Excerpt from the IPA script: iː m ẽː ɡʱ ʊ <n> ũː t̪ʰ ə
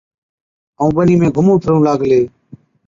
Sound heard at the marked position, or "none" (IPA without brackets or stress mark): m